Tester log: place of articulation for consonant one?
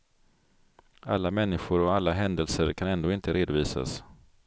alveolar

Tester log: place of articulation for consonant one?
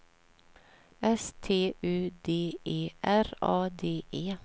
alveolar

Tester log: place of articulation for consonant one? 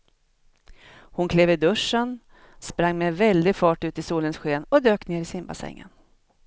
glottal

